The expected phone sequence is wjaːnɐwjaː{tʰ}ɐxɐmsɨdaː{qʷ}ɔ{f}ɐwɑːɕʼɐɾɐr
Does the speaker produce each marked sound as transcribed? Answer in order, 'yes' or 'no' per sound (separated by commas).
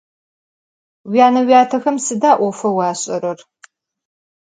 yes, no, yes